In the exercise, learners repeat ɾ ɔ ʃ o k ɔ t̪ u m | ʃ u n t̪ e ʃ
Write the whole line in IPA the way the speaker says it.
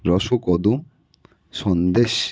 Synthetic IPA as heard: ɾ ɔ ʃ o k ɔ d̪ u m | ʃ ɔ n d̪ e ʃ